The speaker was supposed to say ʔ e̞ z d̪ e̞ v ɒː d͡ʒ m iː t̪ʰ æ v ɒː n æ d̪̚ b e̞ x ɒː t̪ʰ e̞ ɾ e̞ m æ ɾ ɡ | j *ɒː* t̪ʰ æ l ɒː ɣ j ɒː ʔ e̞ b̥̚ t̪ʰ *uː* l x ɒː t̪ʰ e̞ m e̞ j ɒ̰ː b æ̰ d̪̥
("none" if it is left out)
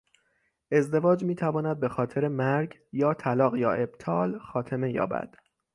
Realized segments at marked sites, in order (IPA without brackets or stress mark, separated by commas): ɒː, ɒː